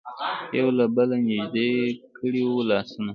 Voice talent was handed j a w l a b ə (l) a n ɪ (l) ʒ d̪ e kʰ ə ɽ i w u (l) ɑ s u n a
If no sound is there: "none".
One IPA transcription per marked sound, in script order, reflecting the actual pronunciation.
l, none, l

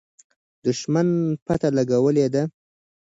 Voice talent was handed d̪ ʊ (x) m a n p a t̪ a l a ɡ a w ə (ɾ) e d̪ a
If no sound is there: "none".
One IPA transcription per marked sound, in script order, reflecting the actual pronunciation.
ʃ, l

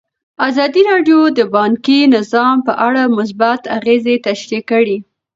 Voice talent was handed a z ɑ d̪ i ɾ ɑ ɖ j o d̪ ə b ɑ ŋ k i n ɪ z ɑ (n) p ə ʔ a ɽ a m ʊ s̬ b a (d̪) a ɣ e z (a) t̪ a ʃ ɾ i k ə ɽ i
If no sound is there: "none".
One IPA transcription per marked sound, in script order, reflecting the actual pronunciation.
m, t̪, e

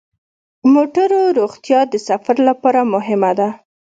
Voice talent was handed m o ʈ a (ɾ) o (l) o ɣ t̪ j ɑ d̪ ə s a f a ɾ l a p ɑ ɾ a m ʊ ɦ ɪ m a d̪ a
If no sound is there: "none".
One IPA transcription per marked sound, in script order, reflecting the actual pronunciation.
ɾ, ɾ

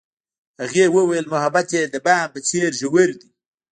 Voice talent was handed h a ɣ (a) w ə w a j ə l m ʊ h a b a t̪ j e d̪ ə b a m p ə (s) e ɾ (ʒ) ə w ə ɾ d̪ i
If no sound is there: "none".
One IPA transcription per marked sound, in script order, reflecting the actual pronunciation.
e, t͡s, ʒ

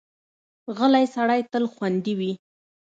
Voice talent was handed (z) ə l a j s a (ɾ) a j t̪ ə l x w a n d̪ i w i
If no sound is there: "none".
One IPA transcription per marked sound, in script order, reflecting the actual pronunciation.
ɣ, ɽ

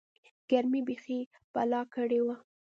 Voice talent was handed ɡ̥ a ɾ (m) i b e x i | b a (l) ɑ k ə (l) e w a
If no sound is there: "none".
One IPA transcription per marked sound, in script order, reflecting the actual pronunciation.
m, l, ɽ

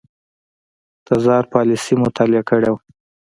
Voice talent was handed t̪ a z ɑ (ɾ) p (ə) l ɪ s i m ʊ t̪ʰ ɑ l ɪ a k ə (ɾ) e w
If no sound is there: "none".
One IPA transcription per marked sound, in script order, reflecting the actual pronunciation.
ɾ, ɑ, ɽ

